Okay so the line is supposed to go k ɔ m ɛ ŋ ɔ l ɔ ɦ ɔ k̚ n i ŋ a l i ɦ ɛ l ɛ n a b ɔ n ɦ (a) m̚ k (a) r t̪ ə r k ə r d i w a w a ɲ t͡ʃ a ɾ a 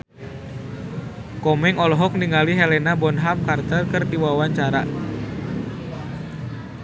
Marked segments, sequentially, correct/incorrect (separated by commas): correct, correct